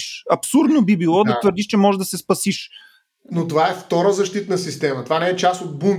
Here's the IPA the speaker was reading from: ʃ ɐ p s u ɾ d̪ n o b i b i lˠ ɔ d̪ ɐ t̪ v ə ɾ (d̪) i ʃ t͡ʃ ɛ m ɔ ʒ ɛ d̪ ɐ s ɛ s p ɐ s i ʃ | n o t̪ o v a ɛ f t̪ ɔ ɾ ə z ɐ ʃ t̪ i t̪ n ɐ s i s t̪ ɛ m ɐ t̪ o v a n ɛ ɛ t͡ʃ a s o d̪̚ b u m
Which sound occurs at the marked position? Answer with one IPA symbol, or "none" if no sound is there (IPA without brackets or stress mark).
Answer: d̪